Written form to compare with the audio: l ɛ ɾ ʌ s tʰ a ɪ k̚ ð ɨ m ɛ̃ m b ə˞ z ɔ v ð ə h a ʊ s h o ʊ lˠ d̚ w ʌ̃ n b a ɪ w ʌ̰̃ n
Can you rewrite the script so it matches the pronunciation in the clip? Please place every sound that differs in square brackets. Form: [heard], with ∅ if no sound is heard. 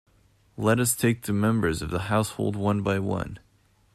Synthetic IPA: l ɛ ɾ ʌ s tʰ [e] ɪ k̚ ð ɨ m ɛ̃ m b ə˞ z [ʌ] v ð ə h a ʊ s h o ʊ lˠ d̚ w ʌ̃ n b a ɪ w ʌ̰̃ n